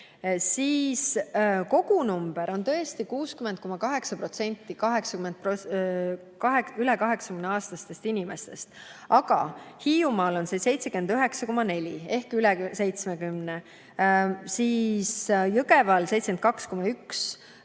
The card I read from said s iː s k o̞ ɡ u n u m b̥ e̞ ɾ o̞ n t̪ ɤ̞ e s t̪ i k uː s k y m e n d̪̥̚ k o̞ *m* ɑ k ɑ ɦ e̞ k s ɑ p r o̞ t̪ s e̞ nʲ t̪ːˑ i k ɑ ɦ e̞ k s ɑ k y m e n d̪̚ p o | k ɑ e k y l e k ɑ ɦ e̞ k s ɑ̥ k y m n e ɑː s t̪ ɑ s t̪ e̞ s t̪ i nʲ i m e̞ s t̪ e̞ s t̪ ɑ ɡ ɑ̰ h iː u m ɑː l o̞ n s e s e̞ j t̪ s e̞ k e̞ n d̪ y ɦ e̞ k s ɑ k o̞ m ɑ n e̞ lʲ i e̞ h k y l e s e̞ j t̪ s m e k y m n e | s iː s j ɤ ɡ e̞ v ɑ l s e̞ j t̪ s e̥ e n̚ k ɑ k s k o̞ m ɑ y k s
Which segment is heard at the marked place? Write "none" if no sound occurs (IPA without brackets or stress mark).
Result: m